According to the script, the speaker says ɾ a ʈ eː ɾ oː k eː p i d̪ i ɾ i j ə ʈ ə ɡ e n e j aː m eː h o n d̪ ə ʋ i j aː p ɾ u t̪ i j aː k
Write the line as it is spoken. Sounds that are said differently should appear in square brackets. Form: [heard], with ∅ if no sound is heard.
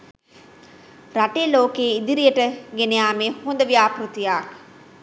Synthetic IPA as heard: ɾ a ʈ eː [l] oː k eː [∅] i d̪ i ɾ i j ə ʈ ə ɡ e n e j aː m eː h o n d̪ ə ʋ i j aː p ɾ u t̪ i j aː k